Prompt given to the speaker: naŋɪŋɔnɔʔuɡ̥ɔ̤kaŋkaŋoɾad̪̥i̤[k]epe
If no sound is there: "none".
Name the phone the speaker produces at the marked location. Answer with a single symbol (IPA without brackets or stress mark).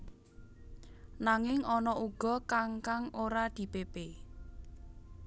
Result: p